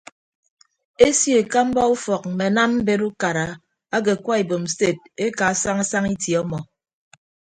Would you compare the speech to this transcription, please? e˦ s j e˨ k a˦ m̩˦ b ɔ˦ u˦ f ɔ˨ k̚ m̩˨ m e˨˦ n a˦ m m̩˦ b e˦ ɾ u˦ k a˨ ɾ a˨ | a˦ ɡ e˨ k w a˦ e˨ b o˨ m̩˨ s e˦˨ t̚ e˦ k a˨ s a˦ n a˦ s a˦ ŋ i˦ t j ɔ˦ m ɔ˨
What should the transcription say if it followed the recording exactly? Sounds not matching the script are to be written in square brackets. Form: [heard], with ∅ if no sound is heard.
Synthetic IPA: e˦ s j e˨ k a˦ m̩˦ b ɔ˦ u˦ f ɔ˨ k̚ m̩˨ m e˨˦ n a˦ m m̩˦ b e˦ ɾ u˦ k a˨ ɾ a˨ | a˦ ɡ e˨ k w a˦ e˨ b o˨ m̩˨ s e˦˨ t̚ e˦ k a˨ s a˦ [ŋ] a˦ s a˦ ŋ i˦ t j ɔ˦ m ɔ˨